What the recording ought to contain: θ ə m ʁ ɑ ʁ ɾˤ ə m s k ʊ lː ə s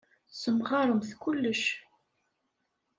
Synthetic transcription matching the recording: s ə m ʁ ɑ ɾˤ ə m θ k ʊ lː ə ʃ